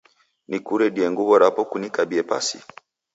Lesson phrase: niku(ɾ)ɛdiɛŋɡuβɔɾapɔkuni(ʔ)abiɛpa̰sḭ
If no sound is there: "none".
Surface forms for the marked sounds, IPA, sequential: ɾ, k

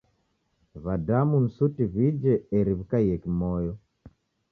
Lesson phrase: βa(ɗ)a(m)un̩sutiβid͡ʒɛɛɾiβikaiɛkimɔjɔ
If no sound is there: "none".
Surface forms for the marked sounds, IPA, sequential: d, m

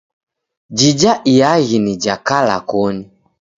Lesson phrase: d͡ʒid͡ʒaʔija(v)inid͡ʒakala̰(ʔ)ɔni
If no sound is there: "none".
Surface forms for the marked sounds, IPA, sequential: ɣ, k

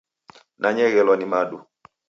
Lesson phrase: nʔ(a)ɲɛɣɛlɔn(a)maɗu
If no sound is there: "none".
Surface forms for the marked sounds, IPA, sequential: a, i

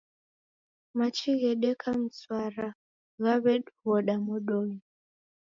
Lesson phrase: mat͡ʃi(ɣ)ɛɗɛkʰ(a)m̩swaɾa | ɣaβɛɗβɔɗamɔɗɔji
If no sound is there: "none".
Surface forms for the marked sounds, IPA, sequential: ɣ, a

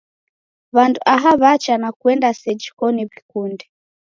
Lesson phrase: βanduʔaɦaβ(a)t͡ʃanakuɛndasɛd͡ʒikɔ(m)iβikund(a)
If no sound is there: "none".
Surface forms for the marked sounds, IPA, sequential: a, n, ɛ

